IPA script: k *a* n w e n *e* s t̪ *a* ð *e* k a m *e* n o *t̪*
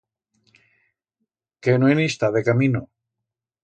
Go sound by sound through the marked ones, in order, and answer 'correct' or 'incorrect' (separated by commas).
incorrect, incorrect, correct, correct, incorrect, incorrect